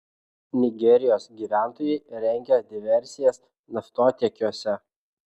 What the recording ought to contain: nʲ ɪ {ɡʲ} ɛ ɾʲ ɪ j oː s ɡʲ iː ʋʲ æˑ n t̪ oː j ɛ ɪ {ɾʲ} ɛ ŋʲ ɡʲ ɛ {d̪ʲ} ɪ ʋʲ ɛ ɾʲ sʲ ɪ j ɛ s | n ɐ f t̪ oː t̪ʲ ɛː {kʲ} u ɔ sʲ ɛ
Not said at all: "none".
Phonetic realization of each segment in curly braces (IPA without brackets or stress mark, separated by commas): ɡʲ, ɾʲ, d̪ʲ, kʲ